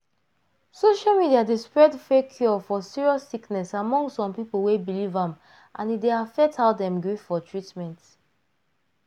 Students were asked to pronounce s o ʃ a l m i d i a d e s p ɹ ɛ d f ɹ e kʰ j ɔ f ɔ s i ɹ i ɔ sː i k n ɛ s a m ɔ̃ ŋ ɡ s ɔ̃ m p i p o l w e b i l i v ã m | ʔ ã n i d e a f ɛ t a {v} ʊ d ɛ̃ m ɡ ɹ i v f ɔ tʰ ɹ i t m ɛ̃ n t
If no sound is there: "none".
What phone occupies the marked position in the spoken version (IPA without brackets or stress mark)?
none